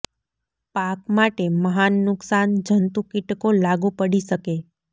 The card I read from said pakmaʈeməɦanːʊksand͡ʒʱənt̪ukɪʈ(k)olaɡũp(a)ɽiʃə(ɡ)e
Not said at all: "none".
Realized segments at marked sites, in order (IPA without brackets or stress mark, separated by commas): k, ə, k